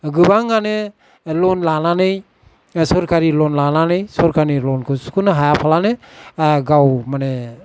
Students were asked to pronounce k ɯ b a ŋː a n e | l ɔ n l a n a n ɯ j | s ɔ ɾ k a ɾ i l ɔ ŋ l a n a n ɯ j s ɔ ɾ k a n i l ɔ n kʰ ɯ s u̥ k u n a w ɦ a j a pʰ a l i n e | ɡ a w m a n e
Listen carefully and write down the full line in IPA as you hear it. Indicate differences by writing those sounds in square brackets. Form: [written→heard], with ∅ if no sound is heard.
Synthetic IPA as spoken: [k→ɡ] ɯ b a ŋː a n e | l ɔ n l a n a n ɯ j | s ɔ ɾ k a ɾ i l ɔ [ŋ→n] l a n a n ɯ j s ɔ ɾ k a n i l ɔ n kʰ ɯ s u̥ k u n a [w→∅] ɦ a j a pʰ a l [i→a] n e | ɡ a w m a n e